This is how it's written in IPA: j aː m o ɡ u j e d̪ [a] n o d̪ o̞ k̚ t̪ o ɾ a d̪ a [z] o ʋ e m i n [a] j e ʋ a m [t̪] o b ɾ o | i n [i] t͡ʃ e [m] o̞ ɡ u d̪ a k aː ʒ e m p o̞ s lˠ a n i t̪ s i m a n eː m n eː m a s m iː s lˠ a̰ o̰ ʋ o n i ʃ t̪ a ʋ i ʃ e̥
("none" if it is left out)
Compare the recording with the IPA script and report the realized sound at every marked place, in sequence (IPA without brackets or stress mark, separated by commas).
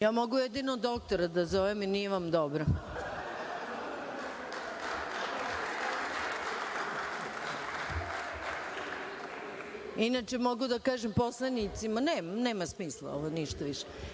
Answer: i, z, i, d̪, a, m